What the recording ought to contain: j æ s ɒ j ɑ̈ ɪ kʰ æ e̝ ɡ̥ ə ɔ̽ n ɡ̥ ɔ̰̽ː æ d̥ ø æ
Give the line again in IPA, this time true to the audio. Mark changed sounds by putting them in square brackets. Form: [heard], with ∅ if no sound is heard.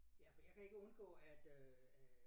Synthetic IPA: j æ [f] ɒ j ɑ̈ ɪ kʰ æ e̝ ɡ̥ ə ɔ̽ n ɡ̥ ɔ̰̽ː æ d̥ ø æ